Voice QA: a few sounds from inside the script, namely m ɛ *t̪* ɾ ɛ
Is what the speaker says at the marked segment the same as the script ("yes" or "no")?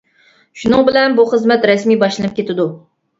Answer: yes